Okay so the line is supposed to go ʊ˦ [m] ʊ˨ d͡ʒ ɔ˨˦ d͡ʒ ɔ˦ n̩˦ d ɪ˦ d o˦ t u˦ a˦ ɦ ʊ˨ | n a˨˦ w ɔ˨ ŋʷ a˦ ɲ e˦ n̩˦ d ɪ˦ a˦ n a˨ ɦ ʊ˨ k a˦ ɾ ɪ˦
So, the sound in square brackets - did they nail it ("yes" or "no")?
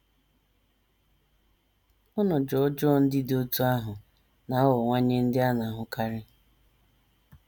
no